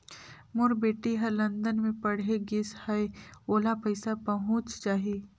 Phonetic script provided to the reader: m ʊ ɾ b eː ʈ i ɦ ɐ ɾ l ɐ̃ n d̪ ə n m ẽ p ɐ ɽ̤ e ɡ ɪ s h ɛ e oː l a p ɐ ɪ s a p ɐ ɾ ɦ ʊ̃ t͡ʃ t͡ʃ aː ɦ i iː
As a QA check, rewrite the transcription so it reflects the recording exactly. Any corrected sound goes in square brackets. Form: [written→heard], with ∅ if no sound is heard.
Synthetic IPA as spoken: m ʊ ɾ b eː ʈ i ɦ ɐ ɾ l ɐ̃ n d̪ ə n m ẽ p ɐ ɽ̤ e ɡ ɪ s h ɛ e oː l a p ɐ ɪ s a p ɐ [ɾ→∅] ɦ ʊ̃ t͡ʃ t͡ʃ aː ɦ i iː